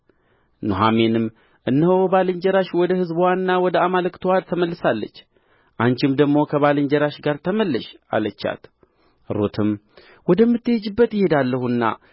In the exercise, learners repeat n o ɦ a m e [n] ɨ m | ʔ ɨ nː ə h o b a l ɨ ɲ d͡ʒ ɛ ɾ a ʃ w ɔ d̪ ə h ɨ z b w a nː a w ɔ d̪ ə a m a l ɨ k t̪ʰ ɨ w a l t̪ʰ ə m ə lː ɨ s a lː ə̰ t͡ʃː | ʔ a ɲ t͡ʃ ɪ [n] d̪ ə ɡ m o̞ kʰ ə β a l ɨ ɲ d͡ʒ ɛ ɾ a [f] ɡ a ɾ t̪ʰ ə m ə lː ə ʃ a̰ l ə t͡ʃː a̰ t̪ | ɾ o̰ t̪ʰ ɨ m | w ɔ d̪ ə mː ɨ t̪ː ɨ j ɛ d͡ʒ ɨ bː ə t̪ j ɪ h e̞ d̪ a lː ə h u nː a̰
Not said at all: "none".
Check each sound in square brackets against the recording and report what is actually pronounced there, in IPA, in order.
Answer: n, m, ʃ

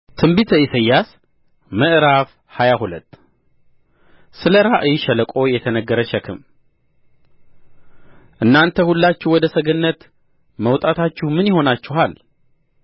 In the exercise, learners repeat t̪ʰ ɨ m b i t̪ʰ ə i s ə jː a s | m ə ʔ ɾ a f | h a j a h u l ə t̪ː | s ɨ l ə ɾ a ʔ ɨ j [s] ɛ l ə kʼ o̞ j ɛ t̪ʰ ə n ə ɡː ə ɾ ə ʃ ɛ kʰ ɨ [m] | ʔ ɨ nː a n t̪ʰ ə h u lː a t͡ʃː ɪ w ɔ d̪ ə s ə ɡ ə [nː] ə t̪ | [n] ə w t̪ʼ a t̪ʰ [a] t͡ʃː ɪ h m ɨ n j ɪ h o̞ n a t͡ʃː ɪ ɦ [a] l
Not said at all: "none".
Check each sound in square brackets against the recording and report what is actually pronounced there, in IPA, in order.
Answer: ʃ, m, nː, m, a, a

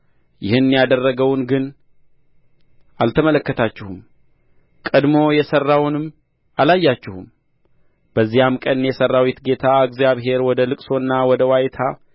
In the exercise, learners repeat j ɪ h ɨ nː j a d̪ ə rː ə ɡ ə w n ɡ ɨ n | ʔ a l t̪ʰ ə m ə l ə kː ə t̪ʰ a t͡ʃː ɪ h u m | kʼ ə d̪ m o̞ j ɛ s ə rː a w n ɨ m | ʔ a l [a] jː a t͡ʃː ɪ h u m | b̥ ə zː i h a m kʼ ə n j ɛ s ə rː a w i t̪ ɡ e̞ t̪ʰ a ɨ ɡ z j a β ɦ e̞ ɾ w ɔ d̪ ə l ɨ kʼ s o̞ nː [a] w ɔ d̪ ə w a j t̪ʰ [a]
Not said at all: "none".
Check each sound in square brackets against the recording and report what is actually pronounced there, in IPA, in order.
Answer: a, a, a

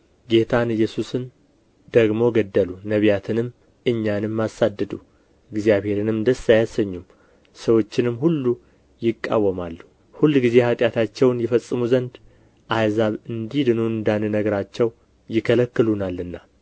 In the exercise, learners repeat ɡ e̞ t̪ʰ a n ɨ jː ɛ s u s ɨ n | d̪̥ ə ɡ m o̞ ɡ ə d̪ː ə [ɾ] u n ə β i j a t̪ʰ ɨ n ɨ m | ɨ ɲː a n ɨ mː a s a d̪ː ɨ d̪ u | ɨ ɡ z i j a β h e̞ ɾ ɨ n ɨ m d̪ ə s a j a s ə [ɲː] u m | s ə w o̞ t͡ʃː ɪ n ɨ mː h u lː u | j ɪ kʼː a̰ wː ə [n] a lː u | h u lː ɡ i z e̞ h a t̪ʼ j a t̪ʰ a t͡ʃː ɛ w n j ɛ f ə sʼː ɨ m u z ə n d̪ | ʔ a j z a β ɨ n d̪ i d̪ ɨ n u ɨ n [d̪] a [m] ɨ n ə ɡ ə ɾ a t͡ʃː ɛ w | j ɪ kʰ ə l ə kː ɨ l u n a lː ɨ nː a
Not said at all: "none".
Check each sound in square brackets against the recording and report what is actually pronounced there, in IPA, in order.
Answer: l, ɲː, m, d̪, n

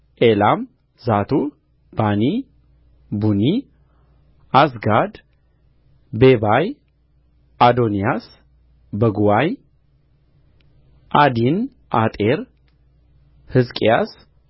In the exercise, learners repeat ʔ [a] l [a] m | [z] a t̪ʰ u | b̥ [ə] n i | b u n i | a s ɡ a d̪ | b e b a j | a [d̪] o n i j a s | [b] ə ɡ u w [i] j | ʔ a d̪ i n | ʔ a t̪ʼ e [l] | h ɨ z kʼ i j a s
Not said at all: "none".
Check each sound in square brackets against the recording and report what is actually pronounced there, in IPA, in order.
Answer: e, a, z, a, d̪, b, a, ɾ

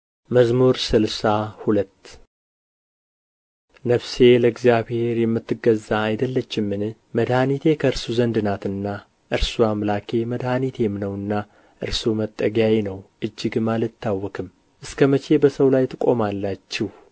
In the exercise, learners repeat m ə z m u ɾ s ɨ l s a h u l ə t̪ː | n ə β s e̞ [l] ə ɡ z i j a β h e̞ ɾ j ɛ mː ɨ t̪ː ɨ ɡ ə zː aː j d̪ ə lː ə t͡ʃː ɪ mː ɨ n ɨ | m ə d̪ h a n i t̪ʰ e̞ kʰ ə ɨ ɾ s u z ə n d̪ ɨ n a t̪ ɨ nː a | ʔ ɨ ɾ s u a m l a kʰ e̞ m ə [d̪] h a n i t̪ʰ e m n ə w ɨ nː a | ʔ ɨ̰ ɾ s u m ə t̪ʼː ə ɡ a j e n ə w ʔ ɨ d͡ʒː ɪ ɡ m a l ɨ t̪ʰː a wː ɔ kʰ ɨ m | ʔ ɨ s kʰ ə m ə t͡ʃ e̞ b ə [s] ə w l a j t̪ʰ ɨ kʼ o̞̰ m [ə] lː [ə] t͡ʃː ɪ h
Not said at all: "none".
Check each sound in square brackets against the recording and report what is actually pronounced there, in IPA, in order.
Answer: l, d̪, s, a, a

